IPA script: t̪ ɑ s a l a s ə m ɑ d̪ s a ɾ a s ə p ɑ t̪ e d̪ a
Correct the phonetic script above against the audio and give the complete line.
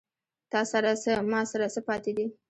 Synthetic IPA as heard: t̪ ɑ s a ɾ a s ə m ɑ s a ɾ a s ə p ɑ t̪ e d̪ i